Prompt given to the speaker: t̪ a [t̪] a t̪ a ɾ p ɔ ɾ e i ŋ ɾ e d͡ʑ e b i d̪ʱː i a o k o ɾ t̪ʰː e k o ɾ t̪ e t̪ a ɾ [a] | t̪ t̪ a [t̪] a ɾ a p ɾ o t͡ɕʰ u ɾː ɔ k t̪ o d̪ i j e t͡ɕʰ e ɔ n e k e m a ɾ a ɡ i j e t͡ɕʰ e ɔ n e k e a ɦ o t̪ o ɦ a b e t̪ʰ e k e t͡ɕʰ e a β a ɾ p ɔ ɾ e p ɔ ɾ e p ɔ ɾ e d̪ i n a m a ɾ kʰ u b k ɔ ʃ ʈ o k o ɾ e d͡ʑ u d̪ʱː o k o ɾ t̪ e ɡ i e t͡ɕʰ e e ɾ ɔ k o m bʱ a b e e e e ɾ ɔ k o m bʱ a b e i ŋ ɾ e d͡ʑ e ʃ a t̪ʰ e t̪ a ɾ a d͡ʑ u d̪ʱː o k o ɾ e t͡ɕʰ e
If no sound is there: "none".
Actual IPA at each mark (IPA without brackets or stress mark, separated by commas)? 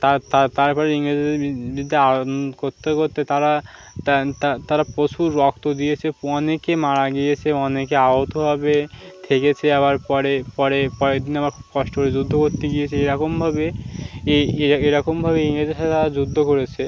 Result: t̪, a, t̪